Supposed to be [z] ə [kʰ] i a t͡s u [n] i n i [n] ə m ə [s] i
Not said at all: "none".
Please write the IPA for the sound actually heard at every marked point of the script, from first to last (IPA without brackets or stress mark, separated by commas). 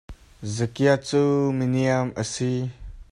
z, k, m, none, s